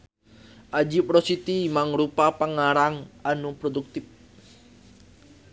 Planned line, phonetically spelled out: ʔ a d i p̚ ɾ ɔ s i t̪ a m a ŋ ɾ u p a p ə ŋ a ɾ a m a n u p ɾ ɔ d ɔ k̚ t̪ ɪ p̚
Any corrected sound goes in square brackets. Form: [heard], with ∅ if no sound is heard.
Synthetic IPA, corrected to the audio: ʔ a [d͡ʒ] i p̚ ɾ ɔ s i t̪ [i] m a ŋ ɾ u p a p ə ŋ a ɾ a [ŋ] a n u p ɾ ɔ d [u] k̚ t̪ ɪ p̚